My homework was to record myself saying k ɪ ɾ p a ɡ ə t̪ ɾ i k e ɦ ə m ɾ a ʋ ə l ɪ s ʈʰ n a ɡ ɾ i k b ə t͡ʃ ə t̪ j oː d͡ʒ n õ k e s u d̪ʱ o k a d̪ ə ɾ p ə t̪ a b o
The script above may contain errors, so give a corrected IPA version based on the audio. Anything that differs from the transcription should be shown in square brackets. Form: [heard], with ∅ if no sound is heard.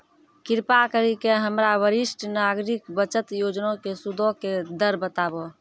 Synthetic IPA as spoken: k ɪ ɾ p a [k] ə [∅] ɾ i k e ɦ ə m ɾ a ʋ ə [ɾ] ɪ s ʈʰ n a ɡ ɾ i k b ə t͡ʃ ə t̪ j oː d͡ʒ n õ k e s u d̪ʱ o k [e] d̪ ə ɾ [b] ə t̪ a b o